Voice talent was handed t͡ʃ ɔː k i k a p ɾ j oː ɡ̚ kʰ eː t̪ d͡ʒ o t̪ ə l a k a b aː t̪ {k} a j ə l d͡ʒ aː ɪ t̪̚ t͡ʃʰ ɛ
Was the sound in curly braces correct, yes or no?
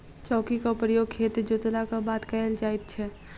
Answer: yes